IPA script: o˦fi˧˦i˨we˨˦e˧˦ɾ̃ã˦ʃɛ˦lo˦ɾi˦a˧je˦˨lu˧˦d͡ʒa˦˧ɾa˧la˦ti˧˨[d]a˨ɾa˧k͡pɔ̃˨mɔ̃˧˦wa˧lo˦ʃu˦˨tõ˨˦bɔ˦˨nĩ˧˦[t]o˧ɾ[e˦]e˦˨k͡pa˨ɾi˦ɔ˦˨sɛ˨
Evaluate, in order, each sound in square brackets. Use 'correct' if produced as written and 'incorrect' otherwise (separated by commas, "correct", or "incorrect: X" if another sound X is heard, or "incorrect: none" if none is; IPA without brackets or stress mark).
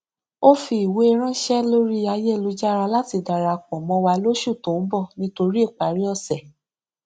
correct, correct, incorrect: i˦